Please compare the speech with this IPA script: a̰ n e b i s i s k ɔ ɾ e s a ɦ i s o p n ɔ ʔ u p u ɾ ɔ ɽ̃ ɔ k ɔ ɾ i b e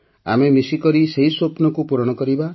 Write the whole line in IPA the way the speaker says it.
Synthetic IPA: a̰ m e m i s i k ɔ ɾ i s e ɦ i s o p n ɔ k u p u ɾ ɔ ɽ̃ ɔ k ɔ ɾ i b a